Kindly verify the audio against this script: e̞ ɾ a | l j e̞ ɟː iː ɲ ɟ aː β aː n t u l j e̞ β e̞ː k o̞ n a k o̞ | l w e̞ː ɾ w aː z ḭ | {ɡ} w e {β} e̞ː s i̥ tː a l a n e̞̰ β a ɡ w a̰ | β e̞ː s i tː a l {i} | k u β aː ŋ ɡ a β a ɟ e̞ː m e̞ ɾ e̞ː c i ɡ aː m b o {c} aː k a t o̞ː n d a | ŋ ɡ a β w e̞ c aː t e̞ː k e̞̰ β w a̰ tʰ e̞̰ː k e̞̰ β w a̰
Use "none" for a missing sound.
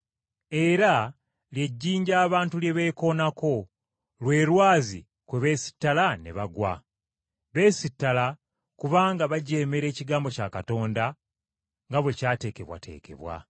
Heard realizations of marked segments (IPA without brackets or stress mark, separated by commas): k, β, a, c